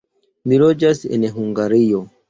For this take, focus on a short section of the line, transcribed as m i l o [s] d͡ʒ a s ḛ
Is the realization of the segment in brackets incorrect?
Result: yes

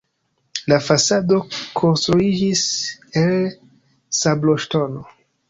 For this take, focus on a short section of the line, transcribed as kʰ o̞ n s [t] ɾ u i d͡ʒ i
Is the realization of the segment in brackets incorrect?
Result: no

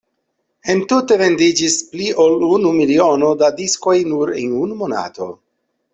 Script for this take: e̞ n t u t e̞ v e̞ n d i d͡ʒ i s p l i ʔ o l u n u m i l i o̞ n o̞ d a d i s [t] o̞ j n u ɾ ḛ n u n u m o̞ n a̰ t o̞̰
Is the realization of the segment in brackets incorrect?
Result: yes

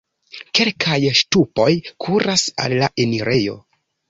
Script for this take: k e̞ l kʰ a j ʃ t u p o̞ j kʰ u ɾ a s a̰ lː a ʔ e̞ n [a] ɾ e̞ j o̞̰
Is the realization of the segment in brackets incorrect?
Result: yes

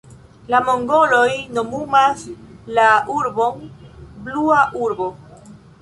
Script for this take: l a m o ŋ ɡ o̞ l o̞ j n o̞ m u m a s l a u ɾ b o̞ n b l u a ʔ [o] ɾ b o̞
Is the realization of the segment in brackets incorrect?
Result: yes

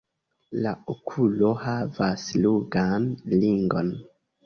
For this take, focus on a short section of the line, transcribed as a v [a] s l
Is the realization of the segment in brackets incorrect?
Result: no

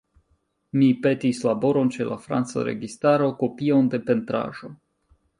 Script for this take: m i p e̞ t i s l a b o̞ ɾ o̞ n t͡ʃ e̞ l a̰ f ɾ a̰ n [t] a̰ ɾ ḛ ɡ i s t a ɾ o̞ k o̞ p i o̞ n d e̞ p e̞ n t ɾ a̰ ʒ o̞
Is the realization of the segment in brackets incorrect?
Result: yes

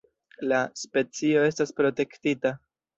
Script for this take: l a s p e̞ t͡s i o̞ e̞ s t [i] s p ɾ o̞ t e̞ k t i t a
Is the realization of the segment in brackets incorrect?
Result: yes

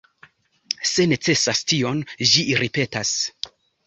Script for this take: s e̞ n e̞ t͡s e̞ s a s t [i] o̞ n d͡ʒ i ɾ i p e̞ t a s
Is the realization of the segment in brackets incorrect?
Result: no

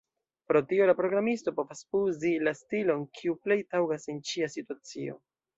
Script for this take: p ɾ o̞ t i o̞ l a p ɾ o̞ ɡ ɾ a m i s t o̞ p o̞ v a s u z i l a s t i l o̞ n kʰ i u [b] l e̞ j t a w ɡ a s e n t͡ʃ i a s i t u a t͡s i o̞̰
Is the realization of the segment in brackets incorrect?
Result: yes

